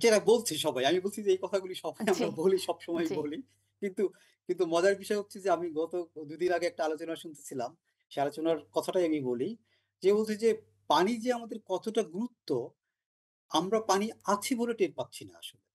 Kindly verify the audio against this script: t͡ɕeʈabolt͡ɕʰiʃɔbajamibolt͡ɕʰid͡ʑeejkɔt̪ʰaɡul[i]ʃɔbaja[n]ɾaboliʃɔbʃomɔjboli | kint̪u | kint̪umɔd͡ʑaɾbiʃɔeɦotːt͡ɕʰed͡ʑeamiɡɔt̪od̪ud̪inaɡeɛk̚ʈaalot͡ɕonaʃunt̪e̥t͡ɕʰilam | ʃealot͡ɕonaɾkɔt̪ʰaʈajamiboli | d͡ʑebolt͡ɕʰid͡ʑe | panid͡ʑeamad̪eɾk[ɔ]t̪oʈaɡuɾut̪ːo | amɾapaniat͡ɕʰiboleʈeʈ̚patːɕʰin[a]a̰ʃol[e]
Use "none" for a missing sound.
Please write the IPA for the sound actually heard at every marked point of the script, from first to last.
i, m, ɔ, a, e

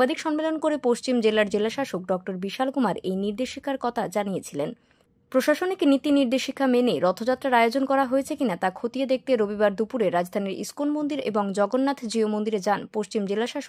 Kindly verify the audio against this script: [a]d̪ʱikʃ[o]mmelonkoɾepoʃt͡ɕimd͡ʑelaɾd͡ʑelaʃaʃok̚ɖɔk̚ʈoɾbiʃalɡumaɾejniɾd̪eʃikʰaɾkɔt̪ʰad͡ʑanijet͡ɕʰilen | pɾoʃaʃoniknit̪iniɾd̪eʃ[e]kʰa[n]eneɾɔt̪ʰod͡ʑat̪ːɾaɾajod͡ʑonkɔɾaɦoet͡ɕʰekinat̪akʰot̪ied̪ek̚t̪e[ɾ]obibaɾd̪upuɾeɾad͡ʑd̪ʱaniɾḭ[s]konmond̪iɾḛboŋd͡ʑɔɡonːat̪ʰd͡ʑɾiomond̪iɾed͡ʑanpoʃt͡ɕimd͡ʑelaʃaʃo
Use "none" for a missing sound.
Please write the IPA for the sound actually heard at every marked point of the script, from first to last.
a, ɔ, i, m, ɾ, s

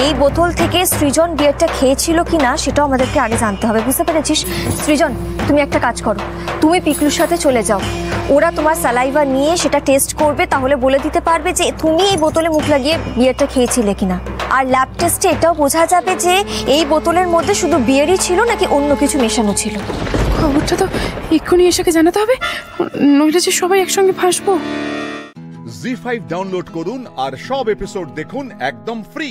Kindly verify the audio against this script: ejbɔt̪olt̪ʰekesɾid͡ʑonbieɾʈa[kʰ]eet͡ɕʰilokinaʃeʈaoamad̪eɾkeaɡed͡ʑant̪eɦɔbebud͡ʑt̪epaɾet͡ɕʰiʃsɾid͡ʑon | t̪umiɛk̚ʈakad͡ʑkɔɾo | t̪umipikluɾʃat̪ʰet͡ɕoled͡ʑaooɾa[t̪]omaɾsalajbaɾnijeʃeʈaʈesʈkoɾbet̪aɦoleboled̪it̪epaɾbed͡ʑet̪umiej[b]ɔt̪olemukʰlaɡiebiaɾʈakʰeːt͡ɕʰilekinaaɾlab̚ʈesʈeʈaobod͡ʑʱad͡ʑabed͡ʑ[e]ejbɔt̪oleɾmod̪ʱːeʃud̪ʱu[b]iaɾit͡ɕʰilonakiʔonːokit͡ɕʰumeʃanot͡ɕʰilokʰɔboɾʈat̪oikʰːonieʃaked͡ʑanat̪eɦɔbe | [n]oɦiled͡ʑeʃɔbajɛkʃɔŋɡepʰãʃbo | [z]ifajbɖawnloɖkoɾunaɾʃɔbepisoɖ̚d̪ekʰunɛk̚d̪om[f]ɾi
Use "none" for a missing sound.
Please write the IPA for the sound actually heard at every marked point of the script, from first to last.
kʰ, t̪, b, e, b, n, z, f

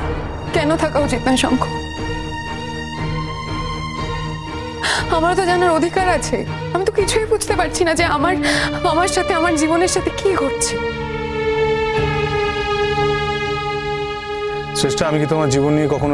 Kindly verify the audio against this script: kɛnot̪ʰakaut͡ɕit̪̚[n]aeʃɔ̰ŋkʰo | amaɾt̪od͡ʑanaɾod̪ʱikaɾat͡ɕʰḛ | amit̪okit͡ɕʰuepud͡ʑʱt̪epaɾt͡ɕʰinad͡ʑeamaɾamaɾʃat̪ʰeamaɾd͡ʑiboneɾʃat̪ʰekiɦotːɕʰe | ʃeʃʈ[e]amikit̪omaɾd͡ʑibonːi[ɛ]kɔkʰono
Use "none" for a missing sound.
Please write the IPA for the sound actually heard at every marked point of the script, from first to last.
n, a, e

